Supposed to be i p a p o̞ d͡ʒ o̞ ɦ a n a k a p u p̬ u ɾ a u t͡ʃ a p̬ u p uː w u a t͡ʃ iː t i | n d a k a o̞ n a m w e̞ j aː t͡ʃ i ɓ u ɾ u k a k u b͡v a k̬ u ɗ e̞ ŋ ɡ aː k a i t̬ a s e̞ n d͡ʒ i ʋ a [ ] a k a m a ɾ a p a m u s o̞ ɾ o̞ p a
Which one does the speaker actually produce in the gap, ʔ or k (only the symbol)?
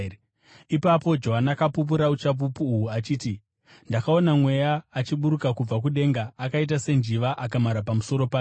ʔ